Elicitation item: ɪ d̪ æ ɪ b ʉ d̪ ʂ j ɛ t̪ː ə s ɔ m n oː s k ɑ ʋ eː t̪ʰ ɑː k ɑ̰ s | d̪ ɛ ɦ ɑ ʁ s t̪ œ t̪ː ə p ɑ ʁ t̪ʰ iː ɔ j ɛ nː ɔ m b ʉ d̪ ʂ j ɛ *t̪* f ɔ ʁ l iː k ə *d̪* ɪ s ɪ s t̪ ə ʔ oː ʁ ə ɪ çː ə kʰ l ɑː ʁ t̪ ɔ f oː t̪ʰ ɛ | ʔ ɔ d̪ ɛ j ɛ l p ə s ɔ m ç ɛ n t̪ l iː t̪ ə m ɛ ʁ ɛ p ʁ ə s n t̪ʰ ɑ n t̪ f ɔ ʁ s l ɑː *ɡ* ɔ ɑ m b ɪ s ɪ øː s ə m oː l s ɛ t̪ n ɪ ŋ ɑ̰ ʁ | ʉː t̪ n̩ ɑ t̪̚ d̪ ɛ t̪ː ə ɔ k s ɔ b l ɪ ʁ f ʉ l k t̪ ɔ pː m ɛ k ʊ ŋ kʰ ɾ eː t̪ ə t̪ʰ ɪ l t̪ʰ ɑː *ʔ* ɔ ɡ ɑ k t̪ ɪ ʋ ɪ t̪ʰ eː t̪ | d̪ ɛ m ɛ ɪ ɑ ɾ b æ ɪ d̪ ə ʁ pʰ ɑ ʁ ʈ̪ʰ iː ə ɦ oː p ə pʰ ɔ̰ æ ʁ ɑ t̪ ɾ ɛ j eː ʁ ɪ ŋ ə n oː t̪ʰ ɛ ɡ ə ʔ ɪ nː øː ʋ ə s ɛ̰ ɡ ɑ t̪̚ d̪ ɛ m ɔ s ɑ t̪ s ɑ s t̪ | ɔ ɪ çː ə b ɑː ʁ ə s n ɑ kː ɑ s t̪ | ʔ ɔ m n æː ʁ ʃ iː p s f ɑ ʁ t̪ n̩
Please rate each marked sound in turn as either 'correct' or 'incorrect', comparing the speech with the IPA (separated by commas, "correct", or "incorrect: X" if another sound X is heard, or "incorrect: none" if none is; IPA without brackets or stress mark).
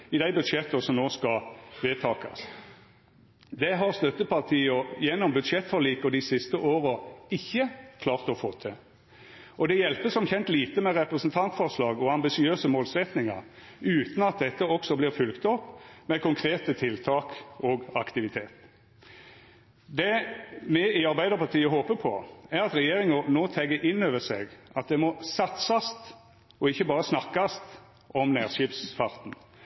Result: correct, correct, correct, incorrect: k